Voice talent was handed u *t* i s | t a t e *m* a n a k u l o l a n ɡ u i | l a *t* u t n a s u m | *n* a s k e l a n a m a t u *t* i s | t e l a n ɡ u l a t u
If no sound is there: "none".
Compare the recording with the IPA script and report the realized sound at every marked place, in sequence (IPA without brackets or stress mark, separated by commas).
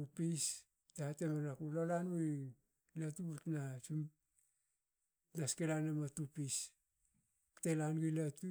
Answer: p, m, t, n, p